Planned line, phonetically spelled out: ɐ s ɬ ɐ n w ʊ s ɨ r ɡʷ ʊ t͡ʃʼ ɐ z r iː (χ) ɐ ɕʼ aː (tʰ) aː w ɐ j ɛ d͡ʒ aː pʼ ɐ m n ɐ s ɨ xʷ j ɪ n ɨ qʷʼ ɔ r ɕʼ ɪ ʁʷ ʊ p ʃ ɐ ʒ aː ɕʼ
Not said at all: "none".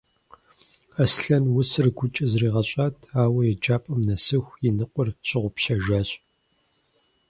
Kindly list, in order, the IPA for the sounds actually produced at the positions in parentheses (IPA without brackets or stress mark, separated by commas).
ʁ, tʰ